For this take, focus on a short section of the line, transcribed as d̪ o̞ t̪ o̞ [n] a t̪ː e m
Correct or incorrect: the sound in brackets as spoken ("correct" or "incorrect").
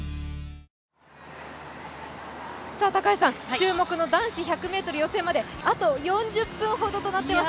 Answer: correct